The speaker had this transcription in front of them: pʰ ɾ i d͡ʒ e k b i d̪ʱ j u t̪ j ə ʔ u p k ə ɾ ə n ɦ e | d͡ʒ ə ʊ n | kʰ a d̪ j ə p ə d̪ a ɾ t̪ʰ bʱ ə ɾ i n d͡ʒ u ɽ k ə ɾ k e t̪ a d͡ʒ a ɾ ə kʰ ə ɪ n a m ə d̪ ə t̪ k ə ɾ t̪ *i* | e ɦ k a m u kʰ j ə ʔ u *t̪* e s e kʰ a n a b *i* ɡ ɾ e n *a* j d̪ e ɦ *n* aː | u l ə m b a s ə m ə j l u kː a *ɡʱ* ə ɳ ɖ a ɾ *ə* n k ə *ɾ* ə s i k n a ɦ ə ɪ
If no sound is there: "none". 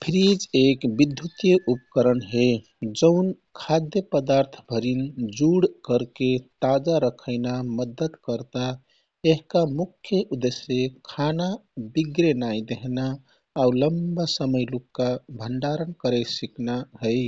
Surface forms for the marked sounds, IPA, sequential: a, d̪, i, a, n, bʱ, ə, ɾ

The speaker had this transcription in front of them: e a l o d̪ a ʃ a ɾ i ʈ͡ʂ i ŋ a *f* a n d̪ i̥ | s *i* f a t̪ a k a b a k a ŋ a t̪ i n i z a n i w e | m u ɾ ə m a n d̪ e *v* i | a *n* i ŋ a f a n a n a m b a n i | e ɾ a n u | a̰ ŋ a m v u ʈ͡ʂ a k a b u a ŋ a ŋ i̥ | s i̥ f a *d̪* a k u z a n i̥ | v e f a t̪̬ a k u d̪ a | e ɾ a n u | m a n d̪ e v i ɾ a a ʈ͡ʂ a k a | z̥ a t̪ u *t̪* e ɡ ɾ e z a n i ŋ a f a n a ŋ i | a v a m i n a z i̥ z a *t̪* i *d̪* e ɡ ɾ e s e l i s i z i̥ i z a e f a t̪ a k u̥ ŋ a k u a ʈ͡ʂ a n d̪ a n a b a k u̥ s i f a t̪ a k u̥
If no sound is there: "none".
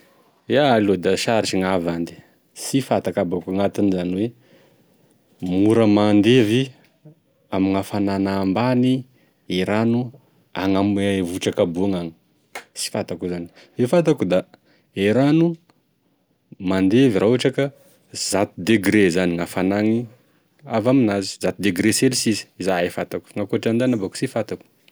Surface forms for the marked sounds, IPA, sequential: v, i, v, m, t̪, d̪, t̪, d̪

